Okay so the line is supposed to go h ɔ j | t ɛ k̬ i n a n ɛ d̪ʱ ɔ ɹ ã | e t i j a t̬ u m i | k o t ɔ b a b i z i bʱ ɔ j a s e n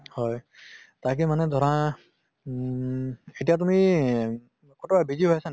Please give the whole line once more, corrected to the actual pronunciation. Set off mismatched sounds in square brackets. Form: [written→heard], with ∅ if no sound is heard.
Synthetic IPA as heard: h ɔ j | t [ɛ→a] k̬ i [n→m] a n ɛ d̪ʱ ɔ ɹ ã | e t i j a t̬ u m i | k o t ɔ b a b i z i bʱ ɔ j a s [e→a] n